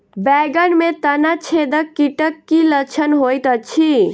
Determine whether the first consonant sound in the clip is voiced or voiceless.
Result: voiced